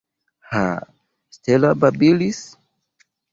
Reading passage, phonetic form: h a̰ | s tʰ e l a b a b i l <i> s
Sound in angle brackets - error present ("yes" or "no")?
no